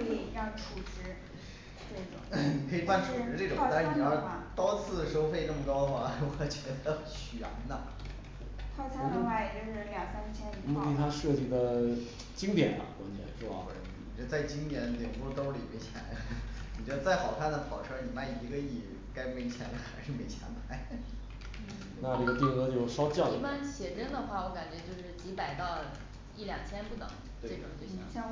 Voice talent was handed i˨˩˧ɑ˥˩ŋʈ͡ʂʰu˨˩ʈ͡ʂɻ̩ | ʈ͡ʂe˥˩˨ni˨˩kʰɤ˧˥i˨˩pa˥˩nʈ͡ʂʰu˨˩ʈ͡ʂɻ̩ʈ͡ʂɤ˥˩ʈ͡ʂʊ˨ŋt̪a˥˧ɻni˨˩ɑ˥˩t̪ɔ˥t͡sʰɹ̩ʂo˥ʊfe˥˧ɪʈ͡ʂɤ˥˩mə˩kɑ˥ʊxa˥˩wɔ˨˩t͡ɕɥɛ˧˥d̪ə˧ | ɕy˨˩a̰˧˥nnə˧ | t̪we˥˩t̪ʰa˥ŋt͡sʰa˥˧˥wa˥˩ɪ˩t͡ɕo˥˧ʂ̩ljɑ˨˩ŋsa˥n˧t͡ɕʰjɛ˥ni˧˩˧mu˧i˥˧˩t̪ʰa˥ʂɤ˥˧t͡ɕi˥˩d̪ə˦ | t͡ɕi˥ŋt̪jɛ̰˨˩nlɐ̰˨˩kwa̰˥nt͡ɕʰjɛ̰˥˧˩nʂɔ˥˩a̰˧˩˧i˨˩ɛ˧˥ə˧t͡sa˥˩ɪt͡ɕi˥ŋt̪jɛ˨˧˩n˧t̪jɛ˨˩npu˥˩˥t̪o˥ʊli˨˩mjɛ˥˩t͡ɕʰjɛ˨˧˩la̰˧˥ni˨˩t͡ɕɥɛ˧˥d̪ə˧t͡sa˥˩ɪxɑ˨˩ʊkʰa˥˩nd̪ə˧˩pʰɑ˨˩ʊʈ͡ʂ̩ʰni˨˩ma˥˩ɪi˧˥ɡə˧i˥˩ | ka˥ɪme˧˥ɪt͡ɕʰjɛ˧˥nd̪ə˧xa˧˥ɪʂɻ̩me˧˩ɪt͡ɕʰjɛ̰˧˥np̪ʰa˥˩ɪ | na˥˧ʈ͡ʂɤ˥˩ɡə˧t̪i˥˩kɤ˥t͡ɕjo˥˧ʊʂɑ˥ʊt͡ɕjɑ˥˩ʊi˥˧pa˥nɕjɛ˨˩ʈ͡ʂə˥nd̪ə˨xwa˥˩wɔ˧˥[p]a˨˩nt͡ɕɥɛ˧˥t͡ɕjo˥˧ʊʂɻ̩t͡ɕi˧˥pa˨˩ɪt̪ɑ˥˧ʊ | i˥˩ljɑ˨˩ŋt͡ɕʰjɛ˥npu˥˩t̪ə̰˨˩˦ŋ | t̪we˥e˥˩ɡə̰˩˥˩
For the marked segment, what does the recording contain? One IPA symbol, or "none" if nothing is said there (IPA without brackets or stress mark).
k